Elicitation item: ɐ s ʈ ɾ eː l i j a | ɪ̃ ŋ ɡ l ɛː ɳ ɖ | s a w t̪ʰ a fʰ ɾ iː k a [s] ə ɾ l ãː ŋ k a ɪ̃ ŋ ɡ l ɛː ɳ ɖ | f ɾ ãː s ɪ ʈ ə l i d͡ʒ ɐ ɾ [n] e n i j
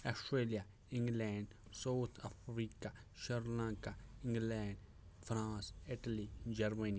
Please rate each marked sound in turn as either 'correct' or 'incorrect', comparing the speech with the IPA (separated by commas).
incorrect, incorrect